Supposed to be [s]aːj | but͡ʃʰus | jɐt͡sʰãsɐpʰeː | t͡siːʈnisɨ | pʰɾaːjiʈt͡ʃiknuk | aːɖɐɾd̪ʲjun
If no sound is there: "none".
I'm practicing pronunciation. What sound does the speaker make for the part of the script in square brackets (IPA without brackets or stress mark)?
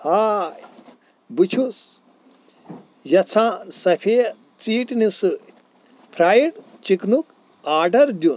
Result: h